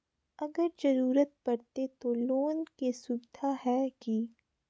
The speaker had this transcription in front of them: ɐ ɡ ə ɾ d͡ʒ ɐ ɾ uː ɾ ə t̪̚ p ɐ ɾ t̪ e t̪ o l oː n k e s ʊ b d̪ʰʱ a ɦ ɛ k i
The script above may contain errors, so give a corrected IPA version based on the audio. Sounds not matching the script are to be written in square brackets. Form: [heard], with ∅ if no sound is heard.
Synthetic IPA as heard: ɐ ɡ ə ɾ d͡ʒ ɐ ɾ uː ɾ ə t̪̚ p ɐ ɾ t̪ e t̪ o l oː n k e s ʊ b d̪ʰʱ a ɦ ɛ k i